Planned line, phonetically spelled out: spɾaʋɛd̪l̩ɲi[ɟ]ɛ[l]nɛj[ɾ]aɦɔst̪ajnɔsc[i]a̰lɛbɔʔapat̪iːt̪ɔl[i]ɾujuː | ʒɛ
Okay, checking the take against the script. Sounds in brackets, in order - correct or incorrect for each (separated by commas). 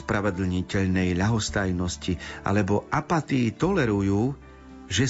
incorrect, incorrect, incorrect, correct, incorrect